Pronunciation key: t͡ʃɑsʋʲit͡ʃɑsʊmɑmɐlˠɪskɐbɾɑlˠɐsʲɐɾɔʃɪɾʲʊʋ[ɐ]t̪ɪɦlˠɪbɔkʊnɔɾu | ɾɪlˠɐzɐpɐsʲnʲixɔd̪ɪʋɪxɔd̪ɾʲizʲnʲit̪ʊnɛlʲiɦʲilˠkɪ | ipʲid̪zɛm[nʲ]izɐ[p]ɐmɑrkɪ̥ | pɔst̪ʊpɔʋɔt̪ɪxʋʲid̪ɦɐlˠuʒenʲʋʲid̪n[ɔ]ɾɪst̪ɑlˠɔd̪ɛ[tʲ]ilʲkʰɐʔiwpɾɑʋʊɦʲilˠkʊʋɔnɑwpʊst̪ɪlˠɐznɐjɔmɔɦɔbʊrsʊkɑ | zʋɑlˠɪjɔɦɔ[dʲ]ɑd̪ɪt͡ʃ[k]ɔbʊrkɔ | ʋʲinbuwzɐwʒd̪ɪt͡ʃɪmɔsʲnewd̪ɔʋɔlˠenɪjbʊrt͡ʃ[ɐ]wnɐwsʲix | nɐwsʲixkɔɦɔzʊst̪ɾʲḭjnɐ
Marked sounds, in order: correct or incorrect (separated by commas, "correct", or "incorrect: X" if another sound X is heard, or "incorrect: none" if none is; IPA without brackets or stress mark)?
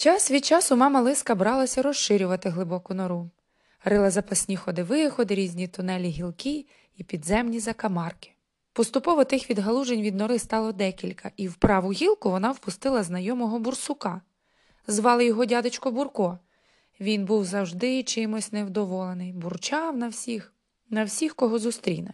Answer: correct, correct, incorrect: k, correct, incorrect: kʲ, correct, correct, incorrect: ɑ